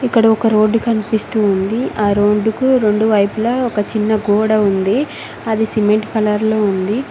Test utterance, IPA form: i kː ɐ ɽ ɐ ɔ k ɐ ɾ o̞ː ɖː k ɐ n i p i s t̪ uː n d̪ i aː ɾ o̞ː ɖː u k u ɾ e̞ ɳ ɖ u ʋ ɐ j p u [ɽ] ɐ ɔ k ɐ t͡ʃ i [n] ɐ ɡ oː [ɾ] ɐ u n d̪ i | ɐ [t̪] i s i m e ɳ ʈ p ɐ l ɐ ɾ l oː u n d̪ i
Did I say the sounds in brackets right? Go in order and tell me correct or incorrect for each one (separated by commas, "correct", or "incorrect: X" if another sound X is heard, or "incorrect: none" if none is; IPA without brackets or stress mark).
incorrect: l, incorrect: nː, incorrect: ɽ, incorrect: d̪